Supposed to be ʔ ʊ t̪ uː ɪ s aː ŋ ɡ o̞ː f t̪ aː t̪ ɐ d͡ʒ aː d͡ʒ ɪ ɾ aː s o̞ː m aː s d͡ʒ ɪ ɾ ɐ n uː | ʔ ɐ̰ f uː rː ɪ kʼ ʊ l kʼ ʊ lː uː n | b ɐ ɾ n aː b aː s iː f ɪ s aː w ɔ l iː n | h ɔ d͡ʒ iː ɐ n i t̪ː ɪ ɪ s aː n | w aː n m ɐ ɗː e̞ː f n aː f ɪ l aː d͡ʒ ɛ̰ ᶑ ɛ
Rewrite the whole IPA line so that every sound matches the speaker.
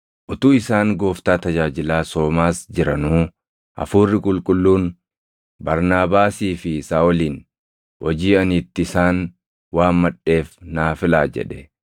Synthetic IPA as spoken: ʔ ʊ t̪ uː ɪ s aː ŋ ɡ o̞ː f t̪ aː t̪ ɐ d͡ʒ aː d͡ʒ ɪ l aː s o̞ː m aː s d͡ʒ ɪ ɾ ɐ n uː | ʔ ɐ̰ f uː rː ɪ kʼ ʊ l kʼ ʊ lː uː n | b ɐ ɾ n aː b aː s iː f ɪ s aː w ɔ l iː n | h ɔ d͡ʒ iː ɐ n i t̪ː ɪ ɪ s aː n | w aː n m ɐ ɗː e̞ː f n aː f ɪ l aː d͡ʒ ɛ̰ ᶑ ɛ